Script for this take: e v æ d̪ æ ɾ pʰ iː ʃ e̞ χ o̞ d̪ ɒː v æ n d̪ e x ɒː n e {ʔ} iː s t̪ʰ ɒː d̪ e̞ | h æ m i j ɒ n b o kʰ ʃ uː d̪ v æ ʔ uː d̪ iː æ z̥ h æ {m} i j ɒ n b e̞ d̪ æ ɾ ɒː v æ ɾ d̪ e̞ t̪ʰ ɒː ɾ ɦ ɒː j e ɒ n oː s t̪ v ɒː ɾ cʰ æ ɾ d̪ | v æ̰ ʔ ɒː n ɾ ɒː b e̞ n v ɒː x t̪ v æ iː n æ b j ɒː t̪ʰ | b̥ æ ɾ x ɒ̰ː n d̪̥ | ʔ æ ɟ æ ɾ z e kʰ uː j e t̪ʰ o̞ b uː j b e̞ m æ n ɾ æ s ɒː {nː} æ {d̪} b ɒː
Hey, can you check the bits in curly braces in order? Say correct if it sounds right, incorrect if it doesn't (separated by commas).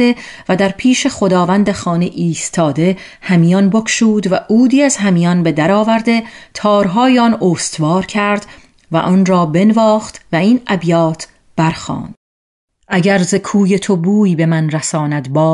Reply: correct, correct, incorrect, correct